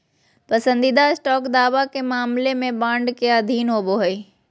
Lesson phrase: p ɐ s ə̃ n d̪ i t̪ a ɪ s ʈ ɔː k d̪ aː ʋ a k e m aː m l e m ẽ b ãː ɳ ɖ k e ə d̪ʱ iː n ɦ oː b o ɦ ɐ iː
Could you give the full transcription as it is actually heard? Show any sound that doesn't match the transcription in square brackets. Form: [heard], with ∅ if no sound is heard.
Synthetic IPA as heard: p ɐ s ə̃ n d̪ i [d̪] a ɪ s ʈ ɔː k d̪ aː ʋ a k e m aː m l e m ẽ b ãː ɳ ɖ k e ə d̪ʱ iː n ɦ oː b o ɦ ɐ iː